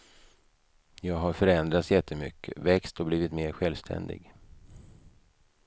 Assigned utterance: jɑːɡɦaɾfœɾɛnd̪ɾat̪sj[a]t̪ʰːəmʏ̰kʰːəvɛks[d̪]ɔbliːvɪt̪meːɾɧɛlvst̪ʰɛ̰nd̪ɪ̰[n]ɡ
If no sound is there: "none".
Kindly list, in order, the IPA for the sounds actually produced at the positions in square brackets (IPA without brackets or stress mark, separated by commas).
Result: ɛ, t̪, none